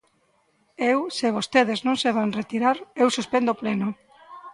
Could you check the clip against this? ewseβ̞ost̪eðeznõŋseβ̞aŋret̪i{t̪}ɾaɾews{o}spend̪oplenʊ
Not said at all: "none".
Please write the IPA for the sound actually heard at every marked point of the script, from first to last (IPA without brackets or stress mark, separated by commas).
none, u